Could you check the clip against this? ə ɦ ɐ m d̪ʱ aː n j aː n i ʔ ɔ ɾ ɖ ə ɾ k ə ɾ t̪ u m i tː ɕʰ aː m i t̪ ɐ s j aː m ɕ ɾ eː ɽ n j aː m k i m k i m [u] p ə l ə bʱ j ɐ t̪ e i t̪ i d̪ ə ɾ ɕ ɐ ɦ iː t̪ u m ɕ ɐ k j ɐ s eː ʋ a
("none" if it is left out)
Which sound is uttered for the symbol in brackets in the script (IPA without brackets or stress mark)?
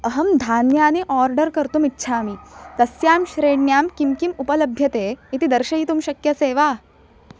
u